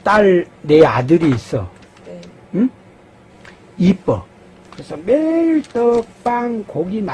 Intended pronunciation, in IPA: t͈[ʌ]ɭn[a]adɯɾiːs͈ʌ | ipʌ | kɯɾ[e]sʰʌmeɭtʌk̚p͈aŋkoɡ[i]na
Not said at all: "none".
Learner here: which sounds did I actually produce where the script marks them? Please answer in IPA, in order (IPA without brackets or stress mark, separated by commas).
a, e, e, i